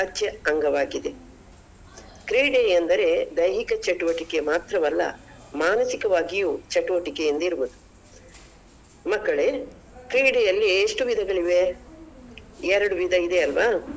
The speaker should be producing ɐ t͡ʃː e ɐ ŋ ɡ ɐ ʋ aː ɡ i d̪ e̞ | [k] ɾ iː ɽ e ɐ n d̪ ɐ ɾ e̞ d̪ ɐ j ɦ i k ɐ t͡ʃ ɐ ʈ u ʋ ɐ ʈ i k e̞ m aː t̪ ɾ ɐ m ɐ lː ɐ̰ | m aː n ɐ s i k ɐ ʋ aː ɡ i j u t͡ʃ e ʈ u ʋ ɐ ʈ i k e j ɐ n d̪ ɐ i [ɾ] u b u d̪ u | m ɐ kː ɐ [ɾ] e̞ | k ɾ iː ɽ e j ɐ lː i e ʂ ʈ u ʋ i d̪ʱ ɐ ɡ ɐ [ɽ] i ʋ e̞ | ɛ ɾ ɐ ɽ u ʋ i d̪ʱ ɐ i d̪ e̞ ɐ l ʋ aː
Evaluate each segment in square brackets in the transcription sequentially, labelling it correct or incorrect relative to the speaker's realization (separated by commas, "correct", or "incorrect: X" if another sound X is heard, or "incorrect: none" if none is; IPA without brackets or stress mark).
correct, correct, incorrect: ɭ, incorrect: ɭ